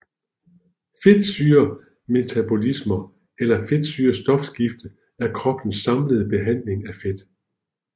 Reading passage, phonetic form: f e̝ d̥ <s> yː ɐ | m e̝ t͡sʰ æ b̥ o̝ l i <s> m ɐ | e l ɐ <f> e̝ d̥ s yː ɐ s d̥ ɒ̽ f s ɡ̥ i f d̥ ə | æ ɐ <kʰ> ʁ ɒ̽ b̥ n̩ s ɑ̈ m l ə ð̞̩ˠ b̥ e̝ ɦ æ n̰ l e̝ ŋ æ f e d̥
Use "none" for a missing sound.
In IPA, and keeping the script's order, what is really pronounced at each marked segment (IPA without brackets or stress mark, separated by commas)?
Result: s, s, f, kʰ